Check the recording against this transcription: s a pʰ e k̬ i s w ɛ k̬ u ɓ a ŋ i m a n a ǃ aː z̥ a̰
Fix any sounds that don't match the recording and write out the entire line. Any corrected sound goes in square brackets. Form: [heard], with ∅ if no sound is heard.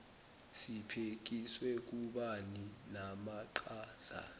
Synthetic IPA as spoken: s [i] pʰ e k̬ i s w ɛ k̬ u ɓ a [n] i [n] a [m] a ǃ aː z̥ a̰

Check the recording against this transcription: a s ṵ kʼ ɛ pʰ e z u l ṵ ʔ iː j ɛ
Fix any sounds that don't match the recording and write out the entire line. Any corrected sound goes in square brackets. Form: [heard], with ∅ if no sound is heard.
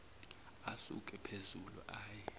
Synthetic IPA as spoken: a s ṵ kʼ ɛ pʰ e z u l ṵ ʔ [aː] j ɛ

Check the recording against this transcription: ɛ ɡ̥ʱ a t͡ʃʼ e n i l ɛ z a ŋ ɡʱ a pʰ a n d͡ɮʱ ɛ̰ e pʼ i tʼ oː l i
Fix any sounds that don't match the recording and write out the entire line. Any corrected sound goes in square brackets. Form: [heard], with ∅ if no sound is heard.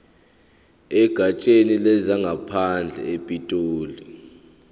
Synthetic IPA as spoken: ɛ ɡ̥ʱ a t͡ʃʼ e n i l ɛ z a ŋ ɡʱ a pʰ a n d͡ɮʱ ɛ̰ e pʼ i tʼ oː l i

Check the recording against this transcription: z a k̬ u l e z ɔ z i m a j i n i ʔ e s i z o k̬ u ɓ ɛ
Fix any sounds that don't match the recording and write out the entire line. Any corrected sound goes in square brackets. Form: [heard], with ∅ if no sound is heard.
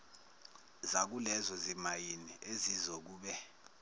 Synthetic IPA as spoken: z a k̬ u l [ɛ] z ɔ z i m a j i n i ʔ e [z] i z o k̬ [uː] ɓ ɛ

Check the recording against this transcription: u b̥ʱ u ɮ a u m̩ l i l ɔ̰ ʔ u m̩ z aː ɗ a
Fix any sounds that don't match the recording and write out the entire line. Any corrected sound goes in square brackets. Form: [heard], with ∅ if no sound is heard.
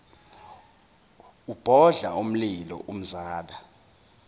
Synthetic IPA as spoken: u b̥ʱ [ɔ] ɮ a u m̩ l i l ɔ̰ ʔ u m̩ z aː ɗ a

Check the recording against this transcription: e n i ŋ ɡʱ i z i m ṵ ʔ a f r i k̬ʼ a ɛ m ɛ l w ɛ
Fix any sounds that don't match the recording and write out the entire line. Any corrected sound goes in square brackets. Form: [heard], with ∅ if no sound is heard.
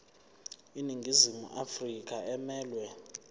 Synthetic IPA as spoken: [i] n i ŋ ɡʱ i z i m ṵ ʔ a f r i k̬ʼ a ɛ m [ɛː] l w ɛ

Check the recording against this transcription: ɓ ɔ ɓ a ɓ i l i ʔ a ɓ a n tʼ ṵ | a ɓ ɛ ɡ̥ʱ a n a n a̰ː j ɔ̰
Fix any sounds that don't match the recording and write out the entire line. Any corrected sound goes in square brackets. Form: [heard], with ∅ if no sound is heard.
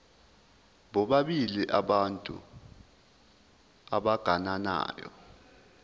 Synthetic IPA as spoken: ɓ ɔ ɓ a ɓ i l i ʔ a ɓ a n tʼ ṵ | a ɓ [a] ɡ̥ʱ a n a n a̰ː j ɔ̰

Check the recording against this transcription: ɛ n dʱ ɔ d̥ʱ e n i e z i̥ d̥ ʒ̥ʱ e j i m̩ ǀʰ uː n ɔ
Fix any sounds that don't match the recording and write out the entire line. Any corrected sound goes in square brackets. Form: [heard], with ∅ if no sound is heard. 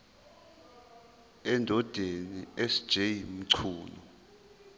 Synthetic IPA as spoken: ɛ n dʱ ɔ d̥ʱ e n i e [s] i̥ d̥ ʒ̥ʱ e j i m̩ ǀʰ uː n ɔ

